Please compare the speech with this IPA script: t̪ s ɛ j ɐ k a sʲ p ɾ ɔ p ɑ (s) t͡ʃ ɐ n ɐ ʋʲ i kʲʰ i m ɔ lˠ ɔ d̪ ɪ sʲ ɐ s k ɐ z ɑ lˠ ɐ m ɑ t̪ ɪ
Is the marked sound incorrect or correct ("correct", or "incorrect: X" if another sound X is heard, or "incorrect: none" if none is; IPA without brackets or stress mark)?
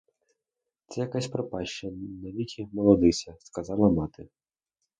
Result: incorrect: ʃ